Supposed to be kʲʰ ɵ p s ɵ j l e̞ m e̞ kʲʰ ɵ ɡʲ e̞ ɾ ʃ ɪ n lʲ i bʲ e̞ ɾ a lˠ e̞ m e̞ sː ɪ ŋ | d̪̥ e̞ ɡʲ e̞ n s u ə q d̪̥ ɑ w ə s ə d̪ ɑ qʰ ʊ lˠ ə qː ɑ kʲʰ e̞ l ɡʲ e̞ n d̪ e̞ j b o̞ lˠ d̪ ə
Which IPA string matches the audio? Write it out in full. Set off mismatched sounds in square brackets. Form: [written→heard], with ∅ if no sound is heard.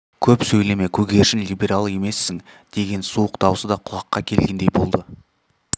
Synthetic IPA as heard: kʲʰ ɵ p s ɵ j l e̞ m e̞ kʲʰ ɵ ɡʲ e̞ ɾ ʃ ɪ n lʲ i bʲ e̞ ɾ a lˠ e̞ m e̞ sː ɪ ŋ | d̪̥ e̞ ɡʲ e̞ n s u ə q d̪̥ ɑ w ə s ə d̪ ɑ qʰ ʊ lˠ [ə→ɑ] qː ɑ kʲʰ e̞ l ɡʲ e̞ n d̪ e̞ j b o̞ lˠ d̪ ə